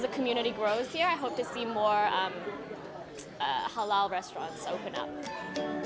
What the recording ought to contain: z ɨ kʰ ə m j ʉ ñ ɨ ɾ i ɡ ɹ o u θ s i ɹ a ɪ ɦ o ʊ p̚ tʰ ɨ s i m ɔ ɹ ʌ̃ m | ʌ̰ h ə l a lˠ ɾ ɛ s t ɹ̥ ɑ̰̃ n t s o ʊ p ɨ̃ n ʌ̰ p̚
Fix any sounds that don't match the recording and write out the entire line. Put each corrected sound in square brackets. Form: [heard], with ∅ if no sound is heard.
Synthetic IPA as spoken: z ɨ kʰ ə m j ʉ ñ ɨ ɾ i ɡ ɹ o [ʊ] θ [h] i ɹ a ɪ ɦ o ʊ p̚ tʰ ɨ s i m ɔ ɹ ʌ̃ m | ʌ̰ h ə l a lˠ [ɹ] ɛ s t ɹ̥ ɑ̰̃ n t s o ʊ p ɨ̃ n ʌ̰ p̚